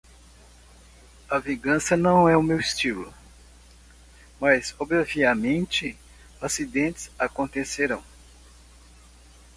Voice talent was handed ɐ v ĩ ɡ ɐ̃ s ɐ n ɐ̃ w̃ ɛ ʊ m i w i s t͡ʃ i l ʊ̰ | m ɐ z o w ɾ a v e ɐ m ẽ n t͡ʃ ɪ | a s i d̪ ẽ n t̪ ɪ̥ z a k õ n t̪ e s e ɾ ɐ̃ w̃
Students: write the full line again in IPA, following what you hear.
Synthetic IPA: ɐ v ĩ ɡ ɐ̃ s ɐ n ɐ̃ w̃ ɛ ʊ m e w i s t͡ʃ i l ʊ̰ | m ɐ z o b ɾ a v i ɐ m ẽ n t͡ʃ ɪ | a s i d̪ ẽ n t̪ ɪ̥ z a k õ n t̪ e s e ɾ ɐ̃ w̃